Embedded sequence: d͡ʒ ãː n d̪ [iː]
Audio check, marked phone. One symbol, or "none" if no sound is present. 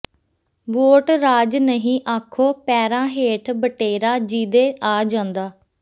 aː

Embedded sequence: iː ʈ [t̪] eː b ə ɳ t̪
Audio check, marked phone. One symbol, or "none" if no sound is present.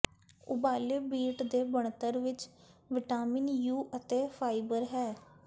d̪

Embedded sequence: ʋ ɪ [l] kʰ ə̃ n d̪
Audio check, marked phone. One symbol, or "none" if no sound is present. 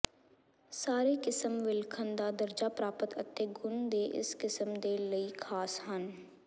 l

